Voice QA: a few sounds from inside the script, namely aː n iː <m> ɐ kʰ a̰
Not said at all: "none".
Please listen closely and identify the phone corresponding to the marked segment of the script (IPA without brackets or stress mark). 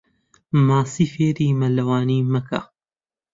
m